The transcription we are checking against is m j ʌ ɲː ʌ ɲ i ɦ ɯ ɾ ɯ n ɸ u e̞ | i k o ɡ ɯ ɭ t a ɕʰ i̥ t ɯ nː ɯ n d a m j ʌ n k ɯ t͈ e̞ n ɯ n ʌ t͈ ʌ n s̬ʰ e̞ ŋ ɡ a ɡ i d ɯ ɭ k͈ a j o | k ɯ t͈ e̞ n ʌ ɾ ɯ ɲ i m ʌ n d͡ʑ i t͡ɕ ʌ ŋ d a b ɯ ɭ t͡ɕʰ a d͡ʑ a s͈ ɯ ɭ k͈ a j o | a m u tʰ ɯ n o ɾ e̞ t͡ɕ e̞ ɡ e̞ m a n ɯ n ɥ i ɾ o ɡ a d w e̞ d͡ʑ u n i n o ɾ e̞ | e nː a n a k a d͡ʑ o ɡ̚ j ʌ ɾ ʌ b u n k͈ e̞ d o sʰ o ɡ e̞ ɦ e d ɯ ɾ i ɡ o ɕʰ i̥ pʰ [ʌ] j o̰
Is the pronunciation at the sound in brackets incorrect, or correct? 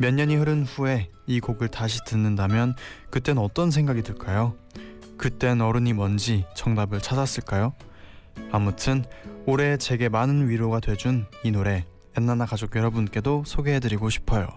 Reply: correct